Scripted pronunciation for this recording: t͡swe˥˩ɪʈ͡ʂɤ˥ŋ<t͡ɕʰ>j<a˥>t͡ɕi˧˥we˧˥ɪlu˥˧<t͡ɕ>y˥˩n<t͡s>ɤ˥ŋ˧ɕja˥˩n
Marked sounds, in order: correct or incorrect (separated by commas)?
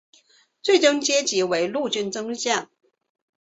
incorrect, incorrect, correct, correct